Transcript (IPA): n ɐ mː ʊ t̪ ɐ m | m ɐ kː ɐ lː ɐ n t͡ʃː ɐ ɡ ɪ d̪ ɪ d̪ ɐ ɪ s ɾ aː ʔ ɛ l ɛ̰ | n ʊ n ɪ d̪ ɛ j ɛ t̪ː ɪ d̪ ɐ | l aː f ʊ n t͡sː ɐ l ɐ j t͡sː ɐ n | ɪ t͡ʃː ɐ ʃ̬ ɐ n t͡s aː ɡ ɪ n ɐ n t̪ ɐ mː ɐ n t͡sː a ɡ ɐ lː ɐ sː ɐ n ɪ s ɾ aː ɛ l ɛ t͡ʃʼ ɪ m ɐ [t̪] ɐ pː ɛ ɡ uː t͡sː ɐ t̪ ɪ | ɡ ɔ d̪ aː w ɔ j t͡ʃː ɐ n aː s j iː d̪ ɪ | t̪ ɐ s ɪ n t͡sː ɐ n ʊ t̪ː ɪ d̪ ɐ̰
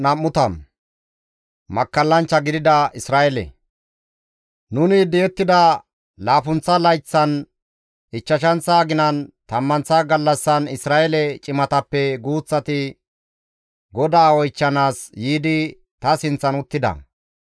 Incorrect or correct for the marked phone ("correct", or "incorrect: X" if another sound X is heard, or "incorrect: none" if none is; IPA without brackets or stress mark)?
correct